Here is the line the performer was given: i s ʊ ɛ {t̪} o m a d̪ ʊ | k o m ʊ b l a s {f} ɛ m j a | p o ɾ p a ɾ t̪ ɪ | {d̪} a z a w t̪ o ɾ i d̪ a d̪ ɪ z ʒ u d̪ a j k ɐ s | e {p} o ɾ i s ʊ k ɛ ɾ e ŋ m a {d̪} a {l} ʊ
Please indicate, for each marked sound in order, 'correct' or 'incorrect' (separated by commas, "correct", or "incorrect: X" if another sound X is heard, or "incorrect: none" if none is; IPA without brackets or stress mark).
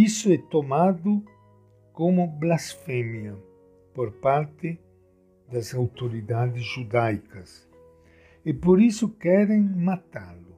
correct, correct, correct, correct, incorrect: t̪, correct